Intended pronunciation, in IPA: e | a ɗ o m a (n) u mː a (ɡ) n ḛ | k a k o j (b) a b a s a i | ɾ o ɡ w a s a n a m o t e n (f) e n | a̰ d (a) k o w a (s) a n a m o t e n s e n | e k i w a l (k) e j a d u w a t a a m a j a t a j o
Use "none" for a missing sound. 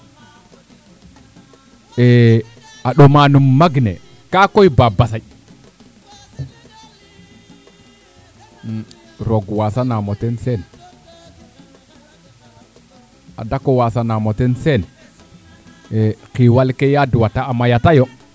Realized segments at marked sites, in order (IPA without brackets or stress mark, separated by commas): n, ɡ, b, s, a, s, k